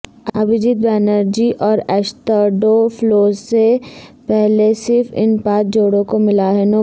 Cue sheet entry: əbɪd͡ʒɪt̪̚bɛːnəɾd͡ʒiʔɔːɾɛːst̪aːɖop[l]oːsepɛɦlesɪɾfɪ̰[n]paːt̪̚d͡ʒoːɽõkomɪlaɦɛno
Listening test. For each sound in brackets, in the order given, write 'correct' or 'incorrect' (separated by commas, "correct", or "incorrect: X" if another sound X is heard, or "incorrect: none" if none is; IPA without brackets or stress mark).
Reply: correct, correct